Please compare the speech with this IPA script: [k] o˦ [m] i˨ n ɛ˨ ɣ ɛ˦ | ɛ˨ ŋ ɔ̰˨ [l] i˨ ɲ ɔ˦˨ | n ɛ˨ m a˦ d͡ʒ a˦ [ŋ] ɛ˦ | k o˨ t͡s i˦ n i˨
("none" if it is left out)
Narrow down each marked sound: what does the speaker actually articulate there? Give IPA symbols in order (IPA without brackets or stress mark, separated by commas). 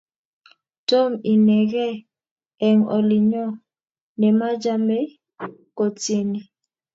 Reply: t, m, l, m